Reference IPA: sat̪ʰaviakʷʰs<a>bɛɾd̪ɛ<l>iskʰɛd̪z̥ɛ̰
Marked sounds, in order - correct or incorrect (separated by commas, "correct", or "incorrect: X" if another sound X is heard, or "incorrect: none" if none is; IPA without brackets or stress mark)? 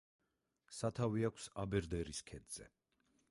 correct, incorrect: ɾ